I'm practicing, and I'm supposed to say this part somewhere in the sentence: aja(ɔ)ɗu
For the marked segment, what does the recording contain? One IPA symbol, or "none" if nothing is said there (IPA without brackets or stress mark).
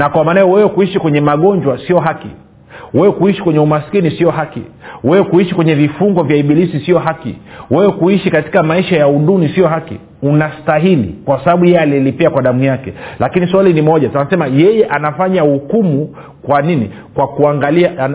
u